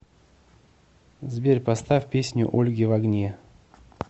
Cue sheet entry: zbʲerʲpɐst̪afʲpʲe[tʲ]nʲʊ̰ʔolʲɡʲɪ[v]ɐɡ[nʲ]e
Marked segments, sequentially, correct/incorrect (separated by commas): incorrect, correct, correct